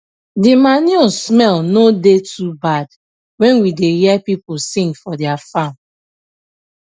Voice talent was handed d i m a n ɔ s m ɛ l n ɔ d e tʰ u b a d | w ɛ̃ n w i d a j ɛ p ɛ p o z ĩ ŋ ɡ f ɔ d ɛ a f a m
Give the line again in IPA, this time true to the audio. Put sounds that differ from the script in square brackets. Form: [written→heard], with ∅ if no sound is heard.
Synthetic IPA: d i m a n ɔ s m ɛ l n [ɔ→o] d e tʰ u b a d | w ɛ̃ n w i d [a→e] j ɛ p [ɛ→i] p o [z→s] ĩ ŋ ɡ f ɔ d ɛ a f a m